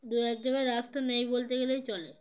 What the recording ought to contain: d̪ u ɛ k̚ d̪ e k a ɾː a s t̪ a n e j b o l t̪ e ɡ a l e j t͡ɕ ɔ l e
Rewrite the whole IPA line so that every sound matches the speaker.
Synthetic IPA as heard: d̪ u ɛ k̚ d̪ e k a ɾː a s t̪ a n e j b o l t̪ e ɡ e l e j t͡ɕ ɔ l e